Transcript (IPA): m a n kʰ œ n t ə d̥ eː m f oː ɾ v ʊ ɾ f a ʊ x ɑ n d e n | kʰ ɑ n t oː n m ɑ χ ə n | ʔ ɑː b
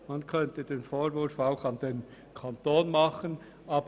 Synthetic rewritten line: m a n kʰ œ n t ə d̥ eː n f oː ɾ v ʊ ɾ f a ʊ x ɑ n d e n | kʰ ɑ n t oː n m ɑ χ ə n | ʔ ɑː b